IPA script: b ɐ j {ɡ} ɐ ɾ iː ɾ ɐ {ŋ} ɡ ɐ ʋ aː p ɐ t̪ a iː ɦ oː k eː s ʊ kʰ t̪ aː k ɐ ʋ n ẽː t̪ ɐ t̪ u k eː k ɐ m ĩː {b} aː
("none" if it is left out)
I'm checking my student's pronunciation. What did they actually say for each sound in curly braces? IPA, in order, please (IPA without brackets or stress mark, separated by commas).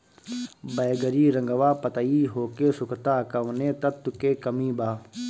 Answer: ɡ, ŋ, b